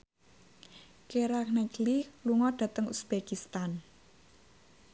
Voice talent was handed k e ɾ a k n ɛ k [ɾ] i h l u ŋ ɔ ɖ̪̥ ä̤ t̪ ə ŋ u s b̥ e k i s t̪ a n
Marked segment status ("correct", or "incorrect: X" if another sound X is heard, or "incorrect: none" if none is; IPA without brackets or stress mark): incorrect: l